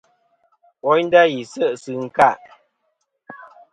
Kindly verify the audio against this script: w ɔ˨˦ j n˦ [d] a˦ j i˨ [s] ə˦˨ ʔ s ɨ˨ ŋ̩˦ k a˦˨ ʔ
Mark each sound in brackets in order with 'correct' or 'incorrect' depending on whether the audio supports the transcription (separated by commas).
correct, correct